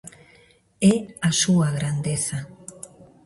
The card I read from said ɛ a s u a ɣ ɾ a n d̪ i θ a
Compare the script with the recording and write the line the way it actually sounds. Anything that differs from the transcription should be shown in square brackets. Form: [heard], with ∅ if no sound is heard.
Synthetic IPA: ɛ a s u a ɣ ɾ a n d̪ [e] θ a